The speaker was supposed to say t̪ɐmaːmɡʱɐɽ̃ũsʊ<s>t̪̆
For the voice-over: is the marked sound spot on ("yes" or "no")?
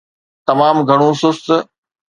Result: yes